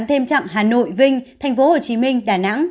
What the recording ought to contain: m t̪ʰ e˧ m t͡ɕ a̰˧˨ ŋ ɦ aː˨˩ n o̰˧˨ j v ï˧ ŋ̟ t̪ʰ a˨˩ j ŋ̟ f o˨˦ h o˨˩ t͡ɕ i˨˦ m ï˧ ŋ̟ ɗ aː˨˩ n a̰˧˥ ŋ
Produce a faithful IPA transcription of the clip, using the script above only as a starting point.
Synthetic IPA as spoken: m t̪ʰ e˧ m t͡ɕ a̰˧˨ ŋ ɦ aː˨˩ n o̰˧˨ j v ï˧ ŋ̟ t̪ʰ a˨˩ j ŋ̟ f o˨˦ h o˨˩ t͡ɕ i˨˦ m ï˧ ŋ̟ ɗ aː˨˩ n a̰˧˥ ŋ